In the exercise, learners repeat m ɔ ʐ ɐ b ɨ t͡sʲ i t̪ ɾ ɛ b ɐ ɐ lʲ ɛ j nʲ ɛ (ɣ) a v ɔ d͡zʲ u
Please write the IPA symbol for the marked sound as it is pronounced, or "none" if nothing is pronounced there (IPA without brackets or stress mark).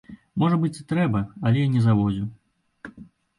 z